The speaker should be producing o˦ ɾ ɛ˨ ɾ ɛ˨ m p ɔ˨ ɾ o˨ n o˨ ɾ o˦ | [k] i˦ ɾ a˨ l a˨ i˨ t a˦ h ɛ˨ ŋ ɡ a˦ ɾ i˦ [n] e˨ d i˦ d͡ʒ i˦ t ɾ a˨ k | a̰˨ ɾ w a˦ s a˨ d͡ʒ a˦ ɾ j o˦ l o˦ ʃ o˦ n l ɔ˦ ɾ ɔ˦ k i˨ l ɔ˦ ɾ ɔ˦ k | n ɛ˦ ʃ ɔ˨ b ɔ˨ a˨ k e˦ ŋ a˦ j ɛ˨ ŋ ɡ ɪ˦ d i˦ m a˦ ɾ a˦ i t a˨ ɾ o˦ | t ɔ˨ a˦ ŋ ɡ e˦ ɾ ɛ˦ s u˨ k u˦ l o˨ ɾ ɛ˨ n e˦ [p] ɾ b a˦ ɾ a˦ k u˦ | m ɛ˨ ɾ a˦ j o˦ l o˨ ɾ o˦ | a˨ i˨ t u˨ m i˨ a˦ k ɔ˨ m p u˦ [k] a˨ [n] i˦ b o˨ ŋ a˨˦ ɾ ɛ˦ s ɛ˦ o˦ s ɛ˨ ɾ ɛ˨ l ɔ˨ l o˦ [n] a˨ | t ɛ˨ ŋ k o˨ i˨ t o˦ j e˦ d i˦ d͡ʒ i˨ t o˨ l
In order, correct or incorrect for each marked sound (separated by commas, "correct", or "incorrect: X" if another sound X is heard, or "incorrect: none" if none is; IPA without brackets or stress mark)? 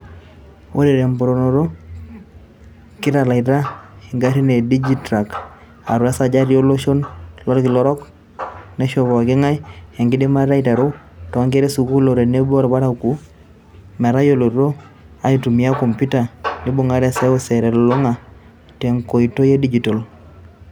correct, correct, incorrect: b, incorrect: t, correct, incorrect: ŋ